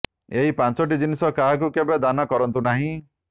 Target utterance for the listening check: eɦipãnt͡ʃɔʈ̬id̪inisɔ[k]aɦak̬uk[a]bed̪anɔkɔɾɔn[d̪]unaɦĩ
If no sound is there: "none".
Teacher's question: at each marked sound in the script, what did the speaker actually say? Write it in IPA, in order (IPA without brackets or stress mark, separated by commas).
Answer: k, e, t̪